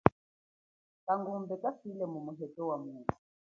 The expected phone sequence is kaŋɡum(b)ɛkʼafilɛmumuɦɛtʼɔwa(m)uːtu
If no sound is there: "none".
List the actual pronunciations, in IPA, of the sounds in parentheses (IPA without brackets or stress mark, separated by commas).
b, m